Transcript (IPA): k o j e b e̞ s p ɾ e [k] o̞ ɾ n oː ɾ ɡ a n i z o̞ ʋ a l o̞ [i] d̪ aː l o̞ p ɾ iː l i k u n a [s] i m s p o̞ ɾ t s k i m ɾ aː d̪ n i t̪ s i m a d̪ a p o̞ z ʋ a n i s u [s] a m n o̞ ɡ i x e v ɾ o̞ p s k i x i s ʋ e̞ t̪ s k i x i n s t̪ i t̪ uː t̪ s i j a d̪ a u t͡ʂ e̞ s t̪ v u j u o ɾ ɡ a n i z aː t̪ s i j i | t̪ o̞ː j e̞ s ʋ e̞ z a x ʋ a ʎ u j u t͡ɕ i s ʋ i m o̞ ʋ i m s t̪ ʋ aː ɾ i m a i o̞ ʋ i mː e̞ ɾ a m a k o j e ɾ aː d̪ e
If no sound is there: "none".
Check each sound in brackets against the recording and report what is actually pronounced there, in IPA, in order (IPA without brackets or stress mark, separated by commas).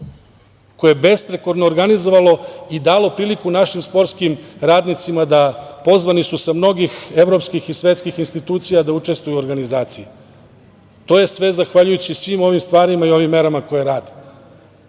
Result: k, i, ʃ, s